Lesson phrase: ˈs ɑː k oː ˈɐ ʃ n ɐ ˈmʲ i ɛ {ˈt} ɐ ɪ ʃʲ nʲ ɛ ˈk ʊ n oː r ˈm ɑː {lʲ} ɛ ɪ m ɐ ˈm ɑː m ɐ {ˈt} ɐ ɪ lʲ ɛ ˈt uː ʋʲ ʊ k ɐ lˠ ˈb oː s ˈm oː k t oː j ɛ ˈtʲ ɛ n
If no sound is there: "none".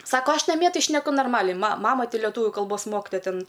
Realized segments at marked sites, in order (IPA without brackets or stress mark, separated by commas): t, lʲ, t